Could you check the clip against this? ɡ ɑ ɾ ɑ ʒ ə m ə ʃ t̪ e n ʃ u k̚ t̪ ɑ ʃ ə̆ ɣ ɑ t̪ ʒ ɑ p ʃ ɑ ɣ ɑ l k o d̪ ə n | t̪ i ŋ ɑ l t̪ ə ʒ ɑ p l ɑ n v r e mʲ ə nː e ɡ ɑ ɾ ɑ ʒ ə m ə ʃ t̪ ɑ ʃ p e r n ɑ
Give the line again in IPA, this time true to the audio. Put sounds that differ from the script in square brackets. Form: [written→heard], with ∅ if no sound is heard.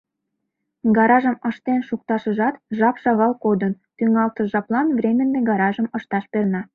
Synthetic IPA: ɡ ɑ ɾ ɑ ʒ ə m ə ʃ t̪ e n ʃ u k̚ t̪ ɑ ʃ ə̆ [ɣ→ʒ] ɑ t̪ ʒ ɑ p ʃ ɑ ɣ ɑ l k o d̪ ə n | t̪ [i→y] ŋ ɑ l t̪ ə ʒ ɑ p l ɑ n v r e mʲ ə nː e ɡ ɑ ɾ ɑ ʒ ə m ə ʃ t̪ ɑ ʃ p e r n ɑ